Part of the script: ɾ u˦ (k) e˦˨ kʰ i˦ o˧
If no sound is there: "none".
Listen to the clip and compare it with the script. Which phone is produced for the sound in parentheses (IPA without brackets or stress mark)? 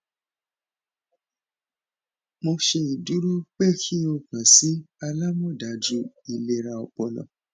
k͡p